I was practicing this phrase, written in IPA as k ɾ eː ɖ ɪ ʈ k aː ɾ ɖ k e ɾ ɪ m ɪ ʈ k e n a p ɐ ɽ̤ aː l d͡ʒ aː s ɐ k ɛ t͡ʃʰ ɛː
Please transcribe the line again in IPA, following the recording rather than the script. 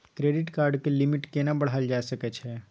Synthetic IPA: k ɾ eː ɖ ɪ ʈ k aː ɾ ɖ k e l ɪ m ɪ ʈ k e n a b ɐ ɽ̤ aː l d͡ʒ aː s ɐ k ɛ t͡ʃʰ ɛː